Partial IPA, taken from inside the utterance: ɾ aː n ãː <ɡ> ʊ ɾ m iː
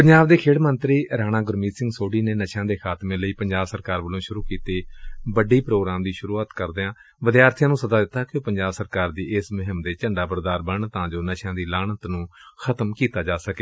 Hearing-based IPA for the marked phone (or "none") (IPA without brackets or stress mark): ɡ